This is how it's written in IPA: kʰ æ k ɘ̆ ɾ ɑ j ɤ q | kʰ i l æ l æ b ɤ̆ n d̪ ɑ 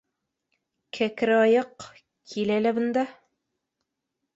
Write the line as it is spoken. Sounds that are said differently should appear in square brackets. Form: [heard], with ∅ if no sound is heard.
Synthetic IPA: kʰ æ k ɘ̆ ɾ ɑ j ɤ q | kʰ i l æ l æ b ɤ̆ n d̪ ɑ